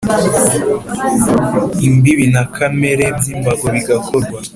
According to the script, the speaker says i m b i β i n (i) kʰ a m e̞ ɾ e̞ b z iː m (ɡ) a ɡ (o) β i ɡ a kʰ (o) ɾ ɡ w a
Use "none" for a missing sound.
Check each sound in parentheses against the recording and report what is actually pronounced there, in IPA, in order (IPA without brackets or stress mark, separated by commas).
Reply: a, b, o, o